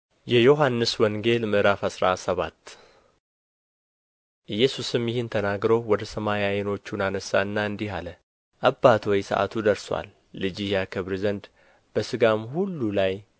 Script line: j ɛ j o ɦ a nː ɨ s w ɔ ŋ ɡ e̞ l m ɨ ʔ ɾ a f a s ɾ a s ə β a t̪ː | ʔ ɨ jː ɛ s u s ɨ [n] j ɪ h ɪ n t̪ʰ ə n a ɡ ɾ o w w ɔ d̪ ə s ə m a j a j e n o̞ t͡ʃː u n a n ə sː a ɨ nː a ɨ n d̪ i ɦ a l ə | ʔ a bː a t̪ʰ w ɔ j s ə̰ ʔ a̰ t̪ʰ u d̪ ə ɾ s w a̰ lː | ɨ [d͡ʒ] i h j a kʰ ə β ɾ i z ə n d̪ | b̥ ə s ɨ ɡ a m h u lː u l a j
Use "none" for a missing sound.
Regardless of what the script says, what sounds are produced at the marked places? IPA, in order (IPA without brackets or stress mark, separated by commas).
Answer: m, d͡ʒ